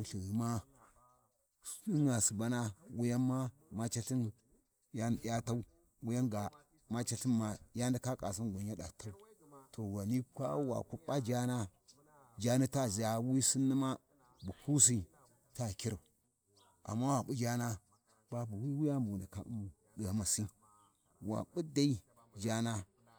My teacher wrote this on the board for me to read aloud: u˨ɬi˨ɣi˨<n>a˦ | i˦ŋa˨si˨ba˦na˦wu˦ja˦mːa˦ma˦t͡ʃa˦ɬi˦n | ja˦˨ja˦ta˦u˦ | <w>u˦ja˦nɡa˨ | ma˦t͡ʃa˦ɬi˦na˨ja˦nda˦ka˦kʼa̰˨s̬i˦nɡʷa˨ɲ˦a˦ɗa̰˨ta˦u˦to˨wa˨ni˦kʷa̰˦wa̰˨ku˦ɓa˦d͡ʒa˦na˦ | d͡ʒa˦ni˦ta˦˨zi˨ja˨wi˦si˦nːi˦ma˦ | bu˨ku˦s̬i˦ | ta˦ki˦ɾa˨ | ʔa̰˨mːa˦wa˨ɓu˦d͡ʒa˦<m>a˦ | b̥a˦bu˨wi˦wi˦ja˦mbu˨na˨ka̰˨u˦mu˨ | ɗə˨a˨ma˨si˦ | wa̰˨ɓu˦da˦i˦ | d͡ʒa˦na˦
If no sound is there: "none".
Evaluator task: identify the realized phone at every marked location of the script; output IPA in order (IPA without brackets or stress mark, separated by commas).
m, w, n